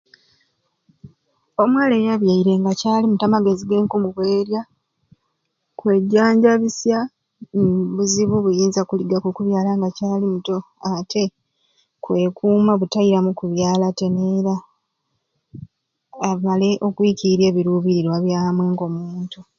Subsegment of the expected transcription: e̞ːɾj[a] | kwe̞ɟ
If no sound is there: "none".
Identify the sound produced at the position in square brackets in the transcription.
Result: a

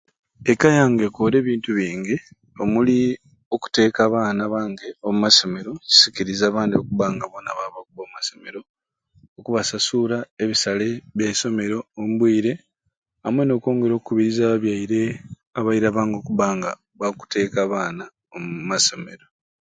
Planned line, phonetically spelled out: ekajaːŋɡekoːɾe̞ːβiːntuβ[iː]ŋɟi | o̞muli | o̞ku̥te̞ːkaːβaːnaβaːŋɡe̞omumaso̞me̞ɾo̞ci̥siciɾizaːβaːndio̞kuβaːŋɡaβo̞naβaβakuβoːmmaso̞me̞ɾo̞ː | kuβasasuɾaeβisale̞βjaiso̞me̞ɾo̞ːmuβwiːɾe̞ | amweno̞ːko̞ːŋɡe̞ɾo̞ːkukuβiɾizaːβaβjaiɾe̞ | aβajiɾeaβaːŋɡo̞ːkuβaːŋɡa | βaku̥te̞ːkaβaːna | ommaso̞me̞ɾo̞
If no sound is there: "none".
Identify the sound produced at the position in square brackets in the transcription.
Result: iː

